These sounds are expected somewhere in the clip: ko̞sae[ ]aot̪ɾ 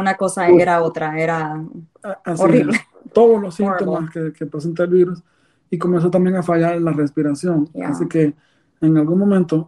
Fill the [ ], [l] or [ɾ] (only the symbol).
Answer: ɾ